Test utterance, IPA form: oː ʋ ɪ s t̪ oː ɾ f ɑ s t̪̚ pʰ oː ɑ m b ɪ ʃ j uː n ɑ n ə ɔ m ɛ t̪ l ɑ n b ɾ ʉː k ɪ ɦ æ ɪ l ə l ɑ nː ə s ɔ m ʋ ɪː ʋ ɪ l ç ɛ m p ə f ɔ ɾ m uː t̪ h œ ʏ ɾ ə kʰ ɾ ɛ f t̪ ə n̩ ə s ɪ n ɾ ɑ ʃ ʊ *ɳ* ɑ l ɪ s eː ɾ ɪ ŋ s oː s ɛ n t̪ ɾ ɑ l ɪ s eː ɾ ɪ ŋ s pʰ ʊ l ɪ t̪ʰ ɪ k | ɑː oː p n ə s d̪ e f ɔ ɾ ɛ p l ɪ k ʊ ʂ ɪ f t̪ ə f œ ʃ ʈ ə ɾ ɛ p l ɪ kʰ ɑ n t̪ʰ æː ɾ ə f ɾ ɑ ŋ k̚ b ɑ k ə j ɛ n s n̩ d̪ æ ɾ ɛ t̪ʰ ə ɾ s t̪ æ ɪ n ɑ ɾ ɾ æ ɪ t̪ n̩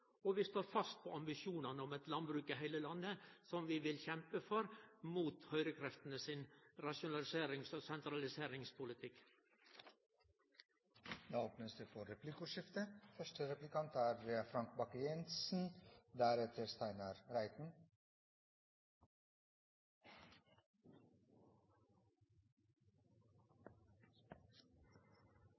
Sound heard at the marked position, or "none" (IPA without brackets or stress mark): n